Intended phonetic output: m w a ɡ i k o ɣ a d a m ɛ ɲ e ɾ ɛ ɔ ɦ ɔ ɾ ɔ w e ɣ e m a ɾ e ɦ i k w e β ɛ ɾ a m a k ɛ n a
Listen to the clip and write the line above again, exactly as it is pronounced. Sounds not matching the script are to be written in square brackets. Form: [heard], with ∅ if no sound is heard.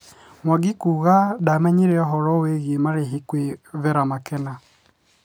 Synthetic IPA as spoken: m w a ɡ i k [u] ɣ a d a m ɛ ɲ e ɾ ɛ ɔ ɦ ɔ ɾ ɔ w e ɣ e m a ɾ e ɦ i k w e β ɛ ɾ a m a k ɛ n a